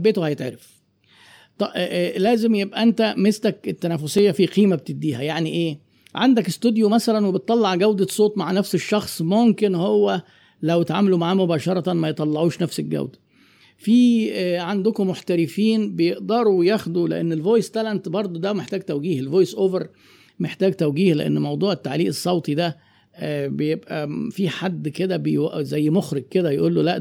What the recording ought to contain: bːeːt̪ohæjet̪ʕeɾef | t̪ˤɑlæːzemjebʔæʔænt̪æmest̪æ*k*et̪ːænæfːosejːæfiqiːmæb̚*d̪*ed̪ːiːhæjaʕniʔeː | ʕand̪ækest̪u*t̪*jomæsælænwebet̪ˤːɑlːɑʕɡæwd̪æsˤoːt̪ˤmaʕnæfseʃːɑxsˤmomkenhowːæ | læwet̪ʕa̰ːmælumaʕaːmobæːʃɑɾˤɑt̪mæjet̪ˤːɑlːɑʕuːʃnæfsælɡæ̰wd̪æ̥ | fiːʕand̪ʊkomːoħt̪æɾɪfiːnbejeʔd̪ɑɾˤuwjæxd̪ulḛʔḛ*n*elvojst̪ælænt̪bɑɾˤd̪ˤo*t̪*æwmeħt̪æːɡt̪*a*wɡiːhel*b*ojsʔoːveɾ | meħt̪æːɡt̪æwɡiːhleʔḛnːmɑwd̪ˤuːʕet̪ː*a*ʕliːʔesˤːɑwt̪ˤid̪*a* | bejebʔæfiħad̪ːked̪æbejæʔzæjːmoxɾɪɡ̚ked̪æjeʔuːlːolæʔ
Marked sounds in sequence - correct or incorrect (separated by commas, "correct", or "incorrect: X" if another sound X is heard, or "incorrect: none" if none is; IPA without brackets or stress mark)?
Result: correct, incorrect: t̪, incorrect: d̪, incorrect: nː, incorrect: d̪, incorrect: æ, incorrect: v, correct, incorrect: æ